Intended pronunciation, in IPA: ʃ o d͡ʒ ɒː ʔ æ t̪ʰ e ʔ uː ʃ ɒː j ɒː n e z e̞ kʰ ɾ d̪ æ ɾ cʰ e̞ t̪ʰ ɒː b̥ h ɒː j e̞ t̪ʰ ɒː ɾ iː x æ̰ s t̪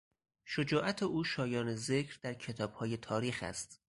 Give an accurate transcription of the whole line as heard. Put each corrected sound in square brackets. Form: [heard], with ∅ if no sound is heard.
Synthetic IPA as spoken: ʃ o d͡ʒ ɒː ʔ æ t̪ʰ e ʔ uː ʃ ɒː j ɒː n e z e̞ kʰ ɾ d̪ æ ɾ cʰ e̞ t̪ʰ ɒː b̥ h ɒː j e̞ t̪ʰ ɒː ɾ iː x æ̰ s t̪